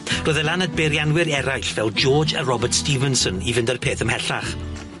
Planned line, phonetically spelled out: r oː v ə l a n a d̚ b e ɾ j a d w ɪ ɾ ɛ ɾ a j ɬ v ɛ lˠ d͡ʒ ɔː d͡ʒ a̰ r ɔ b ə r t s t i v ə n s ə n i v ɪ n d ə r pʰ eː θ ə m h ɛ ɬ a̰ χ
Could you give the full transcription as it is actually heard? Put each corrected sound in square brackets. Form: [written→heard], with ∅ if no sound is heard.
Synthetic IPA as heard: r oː [v→ð] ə l a n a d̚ b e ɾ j a [d→n] w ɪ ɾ ɛ ɾ a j ɬ v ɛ lˠ d͡ʒ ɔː d͡ʒ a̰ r ɔ b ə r t s t i v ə n s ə n i v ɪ n d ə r pʰ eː θ ə m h ɛ ɬ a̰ χ